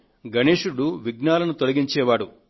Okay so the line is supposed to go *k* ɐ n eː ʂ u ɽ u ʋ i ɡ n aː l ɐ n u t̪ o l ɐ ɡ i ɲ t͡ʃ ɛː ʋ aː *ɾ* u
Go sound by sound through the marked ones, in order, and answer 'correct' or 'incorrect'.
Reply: incorrect: ɡ, incorrect: ɽ

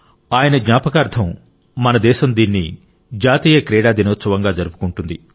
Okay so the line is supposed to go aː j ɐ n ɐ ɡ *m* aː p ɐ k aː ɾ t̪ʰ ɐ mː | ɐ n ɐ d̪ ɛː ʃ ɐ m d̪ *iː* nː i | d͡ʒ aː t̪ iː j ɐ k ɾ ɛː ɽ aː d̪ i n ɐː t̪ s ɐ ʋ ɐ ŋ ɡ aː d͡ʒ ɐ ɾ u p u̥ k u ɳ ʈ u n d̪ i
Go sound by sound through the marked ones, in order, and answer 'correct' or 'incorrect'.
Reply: incorrect: ɲ, correct

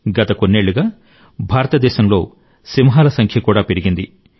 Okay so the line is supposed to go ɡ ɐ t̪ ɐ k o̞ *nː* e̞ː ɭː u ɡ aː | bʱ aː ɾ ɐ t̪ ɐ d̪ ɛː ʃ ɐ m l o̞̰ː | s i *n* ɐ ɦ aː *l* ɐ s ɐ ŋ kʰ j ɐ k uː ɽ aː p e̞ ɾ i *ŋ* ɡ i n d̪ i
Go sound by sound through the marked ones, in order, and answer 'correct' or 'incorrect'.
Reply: correct, incorrect: m, correct, incorrect: none

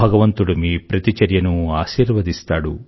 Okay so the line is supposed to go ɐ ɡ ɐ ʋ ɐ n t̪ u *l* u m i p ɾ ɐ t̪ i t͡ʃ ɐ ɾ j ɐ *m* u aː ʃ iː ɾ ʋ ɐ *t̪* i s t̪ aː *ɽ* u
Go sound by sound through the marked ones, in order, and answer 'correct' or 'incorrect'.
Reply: incorrect: ɽ, incorrect: n, incorrect: d̪, correct

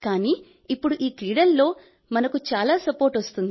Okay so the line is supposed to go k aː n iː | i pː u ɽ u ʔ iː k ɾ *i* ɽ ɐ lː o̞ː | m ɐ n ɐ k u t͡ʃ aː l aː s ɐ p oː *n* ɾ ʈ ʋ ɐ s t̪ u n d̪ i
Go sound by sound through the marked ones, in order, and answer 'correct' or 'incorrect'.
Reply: incorrect: iː, incorrect: none

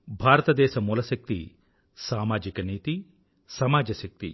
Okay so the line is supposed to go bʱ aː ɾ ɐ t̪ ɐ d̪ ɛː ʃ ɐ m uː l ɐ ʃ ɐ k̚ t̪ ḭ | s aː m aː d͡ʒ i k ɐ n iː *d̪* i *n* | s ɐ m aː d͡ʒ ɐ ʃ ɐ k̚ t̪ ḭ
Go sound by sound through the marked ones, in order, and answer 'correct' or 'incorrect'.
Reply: incorrect: t̪, incorrect: none

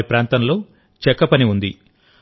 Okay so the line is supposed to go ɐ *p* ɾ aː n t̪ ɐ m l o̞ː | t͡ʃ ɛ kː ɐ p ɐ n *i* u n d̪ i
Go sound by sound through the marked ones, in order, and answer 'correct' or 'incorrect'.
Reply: correct, correct

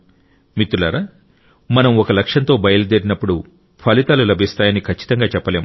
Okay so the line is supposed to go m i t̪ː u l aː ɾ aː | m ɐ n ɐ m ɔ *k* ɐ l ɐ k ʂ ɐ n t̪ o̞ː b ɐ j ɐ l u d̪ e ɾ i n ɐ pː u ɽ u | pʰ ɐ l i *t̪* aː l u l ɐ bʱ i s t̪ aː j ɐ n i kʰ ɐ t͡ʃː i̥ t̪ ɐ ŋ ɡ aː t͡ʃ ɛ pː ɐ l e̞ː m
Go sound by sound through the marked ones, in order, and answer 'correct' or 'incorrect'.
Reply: correct, correct

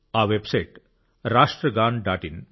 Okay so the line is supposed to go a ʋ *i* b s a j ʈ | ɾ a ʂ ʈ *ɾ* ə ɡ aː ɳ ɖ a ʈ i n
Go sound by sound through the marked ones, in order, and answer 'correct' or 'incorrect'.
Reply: incorrect: e, correct

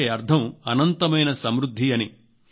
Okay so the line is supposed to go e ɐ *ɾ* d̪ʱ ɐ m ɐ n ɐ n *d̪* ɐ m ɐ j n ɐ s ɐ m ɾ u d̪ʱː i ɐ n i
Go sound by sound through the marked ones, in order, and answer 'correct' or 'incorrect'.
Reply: correct, incorrect: t̪

